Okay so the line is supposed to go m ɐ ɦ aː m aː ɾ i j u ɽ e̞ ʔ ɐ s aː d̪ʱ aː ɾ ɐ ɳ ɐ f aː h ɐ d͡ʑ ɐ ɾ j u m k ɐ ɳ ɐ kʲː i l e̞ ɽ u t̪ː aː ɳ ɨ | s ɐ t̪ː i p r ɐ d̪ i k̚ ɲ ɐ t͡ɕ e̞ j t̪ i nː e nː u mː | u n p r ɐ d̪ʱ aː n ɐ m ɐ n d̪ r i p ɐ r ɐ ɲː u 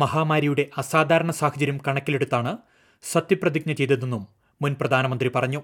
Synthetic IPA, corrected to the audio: m ɐ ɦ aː m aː ɾ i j u ɽ e̞ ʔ ɐ s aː d̪ʱ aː ɾ ɐ ɳ ɐ s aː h ɐ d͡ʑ ɐ ɾ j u m k ɐ ɳ ɐ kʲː i l e̞ ɽ u t̪ː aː ɳ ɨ | s ɐ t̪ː i p r ɐ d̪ i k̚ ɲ ɐ t͡ɕ e̞ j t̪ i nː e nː u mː | u n p r ɐ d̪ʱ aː n ɐ m ɐ n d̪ r i p ɐ r ɐ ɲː u